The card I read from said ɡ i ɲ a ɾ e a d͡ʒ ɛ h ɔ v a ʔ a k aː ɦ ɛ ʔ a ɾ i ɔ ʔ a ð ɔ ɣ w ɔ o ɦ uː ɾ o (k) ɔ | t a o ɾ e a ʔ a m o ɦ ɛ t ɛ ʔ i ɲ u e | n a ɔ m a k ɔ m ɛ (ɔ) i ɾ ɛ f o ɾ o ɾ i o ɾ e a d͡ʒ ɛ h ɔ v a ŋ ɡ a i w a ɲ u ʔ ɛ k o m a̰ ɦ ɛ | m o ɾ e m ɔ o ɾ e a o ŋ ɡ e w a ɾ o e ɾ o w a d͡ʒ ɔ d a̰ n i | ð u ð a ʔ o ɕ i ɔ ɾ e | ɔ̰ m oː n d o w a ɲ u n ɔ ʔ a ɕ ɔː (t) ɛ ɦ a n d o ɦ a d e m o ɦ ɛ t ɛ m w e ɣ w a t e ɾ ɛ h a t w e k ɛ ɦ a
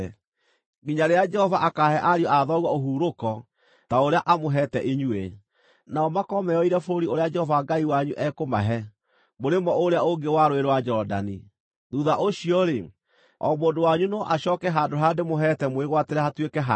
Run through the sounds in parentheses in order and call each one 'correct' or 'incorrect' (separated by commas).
correct, correct, incorrect